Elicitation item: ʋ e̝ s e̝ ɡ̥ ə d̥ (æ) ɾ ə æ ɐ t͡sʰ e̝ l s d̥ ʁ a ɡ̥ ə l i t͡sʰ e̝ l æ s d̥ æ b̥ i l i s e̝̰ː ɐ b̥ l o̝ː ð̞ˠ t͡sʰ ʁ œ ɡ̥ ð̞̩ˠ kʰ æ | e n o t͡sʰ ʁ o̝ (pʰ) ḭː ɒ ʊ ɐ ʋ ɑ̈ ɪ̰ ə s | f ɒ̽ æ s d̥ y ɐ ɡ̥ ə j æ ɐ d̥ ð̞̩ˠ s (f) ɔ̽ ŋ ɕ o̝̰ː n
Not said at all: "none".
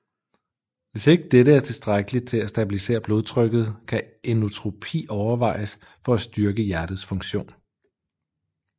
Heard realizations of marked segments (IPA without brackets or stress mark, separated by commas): e, pʰ, f